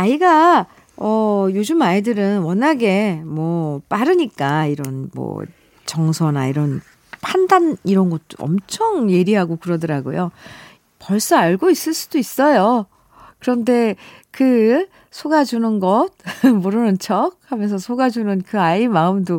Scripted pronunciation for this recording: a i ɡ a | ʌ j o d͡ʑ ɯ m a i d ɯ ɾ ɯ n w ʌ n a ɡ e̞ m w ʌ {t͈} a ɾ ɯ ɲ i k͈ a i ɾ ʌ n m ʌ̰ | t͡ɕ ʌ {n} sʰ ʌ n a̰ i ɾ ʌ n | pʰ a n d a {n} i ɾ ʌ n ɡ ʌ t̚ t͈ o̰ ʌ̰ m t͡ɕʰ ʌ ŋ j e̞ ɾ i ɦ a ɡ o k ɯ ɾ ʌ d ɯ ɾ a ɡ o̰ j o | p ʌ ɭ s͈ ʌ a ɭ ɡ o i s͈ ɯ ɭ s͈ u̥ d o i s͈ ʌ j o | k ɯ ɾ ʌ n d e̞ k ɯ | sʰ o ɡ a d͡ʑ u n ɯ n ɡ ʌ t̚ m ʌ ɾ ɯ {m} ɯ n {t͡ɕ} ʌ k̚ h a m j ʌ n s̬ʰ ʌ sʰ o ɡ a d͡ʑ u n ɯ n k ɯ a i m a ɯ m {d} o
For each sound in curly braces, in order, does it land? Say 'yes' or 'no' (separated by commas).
no, no, yes, no, no, yes